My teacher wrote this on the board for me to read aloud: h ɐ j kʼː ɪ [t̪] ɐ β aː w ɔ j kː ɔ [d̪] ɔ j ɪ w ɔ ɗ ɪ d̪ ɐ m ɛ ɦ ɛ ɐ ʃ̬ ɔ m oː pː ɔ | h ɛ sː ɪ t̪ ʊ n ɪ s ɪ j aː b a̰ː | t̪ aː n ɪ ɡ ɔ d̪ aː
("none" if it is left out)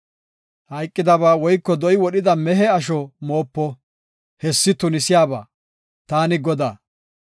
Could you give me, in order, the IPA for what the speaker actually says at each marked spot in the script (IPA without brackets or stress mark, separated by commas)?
d̪, d̪